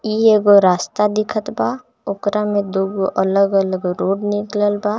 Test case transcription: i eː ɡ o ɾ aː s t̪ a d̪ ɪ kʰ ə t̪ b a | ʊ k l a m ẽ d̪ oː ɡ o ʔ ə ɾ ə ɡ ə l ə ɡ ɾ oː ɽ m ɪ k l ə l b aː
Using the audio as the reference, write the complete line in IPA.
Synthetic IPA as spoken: i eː ɡ o ɾ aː s t̪ a d̪ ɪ kʰ ə t̪ b a | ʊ k ɾ a m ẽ d̪ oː ɡ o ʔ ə l ə ɡ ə l ə ɡ ɾ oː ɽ n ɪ k l ə l b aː